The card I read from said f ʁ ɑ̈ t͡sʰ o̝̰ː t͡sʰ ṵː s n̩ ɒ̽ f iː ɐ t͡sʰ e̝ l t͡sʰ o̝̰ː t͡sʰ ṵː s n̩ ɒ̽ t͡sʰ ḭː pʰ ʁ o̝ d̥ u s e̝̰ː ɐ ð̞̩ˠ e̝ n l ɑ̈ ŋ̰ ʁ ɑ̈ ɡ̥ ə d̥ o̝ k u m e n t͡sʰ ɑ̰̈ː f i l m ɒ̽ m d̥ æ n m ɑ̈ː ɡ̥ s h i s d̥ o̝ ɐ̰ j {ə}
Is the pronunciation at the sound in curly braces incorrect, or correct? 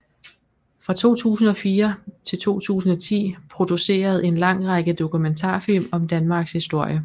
correct